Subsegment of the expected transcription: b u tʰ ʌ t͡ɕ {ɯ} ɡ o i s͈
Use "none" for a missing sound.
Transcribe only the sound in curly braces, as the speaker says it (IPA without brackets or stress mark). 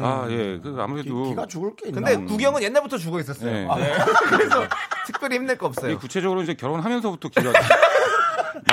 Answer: u